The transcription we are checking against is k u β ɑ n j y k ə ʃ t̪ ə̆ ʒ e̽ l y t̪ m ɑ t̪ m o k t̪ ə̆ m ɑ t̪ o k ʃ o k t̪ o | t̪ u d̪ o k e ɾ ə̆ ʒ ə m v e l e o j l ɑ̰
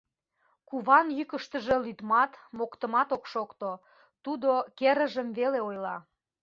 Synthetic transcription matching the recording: k u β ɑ n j y k ə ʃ t̪ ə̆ ʒ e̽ l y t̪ m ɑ t̪ m o k t̪ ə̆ m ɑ t̪ o k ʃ o k t̪ o | t̪ u d̪ o k e ɾ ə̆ ʒ ə m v e l e o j l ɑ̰